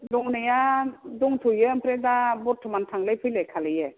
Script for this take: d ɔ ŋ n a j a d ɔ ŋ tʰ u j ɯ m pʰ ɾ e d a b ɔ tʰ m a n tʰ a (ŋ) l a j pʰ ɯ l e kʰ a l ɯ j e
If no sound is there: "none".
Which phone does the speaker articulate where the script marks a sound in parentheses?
ŋ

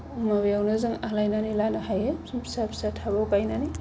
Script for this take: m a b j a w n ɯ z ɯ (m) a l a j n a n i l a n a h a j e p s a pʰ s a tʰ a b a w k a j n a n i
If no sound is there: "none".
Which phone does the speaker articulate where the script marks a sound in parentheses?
ŋ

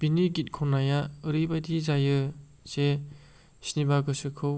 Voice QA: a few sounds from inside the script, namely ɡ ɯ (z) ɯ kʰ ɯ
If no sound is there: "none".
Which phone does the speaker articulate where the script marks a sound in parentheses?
s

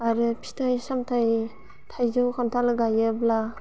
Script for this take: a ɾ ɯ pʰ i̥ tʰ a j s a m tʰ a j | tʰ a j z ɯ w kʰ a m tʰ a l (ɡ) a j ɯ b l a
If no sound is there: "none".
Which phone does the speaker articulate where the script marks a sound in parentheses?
ɡ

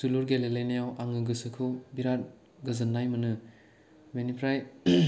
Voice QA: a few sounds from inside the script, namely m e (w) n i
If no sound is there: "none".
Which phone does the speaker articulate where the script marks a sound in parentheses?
none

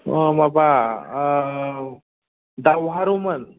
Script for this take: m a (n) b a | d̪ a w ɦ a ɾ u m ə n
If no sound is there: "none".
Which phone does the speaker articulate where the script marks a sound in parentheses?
none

